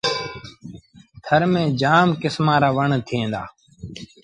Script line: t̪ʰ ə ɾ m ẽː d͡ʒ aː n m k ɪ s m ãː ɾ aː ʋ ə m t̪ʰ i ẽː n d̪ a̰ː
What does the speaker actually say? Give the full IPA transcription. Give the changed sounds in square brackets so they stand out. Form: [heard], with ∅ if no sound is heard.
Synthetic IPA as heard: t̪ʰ ə ɾ m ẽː d͡ʒ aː [∅] m k ɪ s m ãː ɾ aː ʋ ə [ɳ] t̪ʰ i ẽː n d̪ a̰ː